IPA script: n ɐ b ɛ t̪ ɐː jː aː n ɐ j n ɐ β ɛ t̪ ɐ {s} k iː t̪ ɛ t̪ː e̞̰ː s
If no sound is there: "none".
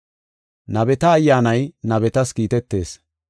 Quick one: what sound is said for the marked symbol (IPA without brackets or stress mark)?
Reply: s